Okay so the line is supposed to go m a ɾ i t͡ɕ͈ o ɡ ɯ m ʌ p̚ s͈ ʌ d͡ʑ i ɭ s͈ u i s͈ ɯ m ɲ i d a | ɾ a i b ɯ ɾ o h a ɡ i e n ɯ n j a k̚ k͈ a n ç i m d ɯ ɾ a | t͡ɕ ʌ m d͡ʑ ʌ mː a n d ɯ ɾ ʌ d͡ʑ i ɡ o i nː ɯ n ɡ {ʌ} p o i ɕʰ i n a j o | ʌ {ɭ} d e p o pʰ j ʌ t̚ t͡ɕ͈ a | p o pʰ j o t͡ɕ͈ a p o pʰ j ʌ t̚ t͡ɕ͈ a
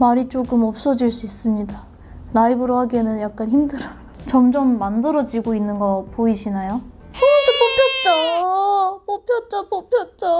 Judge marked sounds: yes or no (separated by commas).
yes, no